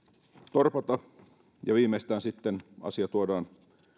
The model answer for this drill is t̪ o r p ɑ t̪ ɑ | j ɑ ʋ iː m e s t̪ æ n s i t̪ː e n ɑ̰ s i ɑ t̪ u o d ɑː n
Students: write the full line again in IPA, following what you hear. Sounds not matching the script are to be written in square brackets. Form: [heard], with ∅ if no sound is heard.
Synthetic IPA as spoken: t̪ o r p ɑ t̪ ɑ | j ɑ ʋ iː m e s t̪ [æː] n s i t̪ː e n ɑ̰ s i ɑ t̪ u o d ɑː n